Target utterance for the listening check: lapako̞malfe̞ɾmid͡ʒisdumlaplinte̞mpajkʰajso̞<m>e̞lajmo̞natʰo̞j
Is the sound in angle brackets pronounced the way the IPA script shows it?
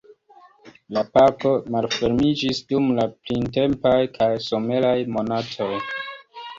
yes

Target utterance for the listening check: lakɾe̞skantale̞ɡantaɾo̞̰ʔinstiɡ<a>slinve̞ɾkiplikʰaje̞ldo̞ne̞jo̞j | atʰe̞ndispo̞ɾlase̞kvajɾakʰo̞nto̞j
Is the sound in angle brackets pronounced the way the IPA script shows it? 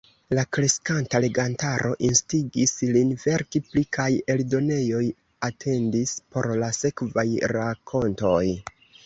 no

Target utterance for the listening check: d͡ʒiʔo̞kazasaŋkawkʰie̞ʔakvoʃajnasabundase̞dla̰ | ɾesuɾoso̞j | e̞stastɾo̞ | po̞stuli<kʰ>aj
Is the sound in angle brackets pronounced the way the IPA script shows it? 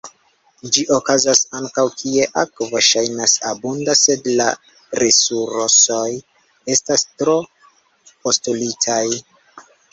no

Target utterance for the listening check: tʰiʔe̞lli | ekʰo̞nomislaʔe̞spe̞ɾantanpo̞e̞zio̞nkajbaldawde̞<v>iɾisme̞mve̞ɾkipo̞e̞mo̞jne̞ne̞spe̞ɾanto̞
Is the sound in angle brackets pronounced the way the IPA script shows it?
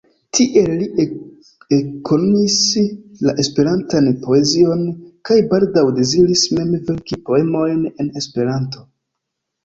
no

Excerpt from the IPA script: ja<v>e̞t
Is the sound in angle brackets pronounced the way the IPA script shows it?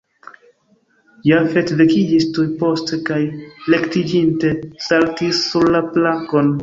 no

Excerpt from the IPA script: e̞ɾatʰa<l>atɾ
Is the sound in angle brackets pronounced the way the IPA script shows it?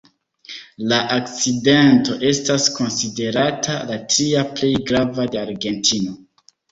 yes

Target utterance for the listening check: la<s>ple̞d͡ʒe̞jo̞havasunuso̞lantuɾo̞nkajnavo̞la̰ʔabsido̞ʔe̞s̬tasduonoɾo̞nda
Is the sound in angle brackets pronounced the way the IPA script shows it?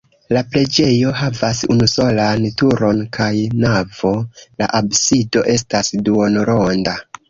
no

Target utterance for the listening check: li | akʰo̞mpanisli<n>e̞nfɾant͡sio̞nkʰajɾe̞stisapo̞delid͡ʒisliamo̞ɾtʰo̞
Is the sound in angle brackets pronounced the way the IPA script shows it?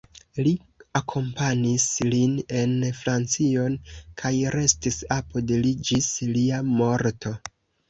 yes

